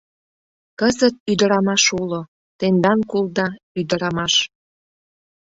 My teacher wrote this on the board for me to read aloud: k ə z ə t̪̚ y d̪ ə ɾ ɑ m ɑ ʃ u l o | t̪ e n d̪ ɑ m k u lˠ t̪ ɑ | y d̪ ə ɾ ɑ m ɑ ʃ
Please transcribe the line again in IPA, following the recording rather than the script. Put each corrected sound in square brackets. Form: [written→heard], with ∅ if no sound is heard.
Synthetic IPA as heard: k ə z ə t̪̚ y d̪ ə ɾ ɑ m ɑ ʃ u l o | t̪ e n d̪ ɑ [m→n] k u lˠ [t̪→d̪] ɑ | y d̪ ə ɾ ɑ m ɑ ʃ